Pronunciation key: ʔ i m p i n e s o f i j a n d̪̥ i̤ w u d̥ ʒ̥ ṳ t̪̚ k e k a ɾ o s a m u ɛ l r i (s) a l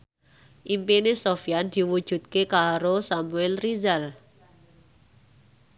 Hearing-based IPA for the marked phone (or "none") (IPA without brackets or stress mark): z